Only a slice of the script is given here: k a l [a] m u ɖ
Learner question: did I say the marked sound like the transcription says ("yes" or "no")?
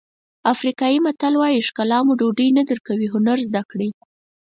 no